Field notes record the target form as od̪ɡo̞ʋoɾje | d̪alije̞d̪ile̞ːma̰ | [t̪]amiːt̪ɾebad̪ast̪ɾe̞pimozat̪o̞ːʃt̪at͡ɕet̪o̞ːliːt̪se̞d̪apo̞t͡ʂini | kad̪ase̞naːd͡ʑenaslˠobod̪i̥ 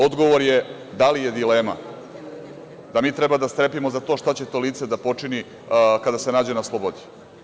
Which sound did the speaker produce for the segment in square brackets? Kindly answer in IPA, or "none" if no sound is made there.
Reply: d̪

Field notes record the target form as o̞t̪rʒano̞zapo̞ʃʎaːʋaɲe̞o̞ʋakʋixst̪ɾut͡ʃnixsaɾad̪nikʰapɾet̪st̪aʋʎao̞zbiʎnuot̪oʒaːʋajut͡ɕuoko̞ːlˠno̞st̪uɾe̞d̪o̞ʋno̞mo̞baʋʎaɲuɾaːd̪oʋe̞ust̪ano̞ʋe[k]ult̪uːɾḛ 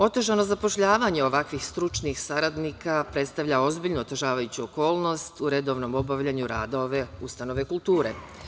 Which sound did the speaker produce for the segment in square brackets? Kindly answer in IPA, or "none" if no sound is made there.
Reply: k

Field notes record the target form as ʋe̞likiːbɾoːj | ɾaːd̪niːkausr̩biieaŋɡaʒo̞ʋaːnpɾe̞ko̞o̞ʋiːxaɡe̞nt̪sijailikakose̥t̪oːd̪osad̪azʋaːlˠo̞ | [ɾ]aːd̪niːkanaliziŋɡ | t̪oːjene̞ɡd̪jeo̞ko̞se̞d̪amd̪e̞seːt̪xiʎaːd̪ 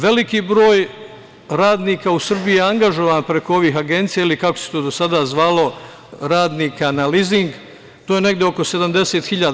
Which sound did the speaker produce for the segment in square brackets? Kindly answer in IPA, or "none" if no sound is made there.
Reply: ɾ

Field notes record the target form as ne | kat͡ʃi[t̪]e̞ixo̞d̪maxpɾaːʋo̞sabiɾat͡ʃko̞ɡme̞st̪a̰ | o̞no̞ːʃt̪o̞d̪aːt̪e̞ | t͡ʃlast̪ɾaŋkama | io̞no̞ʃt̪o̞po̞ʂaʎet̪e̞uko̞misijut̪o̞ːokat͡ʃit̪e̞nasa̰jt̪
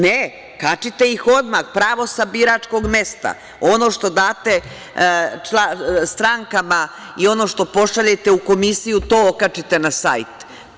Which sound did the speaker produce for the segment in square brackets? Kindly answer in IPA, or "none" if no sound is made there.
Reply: t̪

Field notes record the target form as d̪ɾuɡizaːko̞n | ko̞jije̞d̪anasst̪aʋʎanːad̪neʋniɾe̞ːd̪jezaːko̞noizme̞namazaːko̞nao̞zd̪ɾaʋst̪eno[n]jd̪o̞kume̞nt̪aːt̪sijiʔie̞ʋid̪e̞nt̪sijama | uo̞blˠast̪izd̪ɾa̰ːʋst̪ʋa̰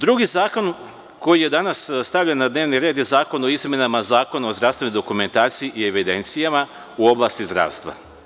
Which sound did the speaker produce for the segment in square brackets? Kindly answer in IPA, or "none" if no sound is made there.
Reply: none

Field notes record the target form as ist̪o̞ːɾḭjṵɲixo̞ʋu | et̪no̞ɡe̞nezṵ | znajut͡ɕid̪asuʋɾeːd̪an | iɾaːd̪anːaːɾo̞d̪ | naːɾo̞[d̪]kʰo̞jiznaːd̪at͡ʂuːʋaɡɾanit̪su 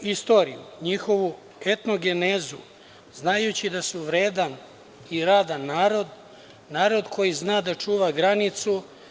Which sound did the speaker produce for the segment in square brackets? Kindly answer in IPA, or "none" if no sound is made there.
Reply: d̪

